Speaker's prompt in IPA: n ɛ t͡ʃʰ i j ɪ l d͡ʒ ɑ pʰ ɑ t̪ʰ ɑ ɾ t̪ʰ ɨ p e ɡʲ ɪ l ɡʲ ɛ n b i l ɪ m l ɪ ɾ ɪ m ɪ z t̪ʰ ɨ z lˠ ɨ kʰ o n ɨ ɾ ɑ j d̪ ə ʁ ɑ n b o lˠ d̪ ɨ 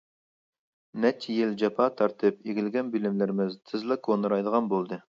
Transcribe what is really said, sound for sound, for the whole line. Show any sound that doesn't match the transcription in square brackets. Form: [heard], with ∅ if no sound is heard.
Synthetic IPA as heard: n ɛ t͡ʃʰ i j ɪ l d͡ʒ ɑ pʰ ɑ t̪ʰ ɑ ɾ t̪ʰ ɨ p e ɡʲ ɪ l ɡʲ ɛ n b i l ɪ m l ɪ ɾ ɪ m ɪ z t̪ʰ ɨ z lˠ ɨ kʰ o n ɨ ɾ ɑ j d̪ ə ʁ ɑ n b o lˠ d̪ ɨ